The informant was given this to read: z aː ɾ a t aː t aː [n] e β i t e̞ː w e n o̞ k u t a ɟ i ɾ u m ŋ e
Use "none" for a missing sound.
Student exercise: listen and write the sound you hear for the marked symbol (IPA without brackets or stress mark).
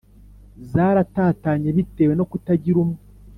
ɲ